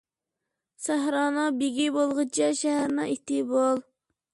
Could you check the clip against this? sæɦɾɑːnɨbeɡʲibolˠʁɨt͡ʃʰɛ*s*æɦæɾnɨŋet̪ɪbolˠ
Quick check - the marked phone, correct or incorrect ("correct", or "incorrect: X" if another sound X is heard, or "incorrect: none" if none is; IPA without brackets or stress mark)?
incorrect: ʃ